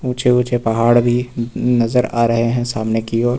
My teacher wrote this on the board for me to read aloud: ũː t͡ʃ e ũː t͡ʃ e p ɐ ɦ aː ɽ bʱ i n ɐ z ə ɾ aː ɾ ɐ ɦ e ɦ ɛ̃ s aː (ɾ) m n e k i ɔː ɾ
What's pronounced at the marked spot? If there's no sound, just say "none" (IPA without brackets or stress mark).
none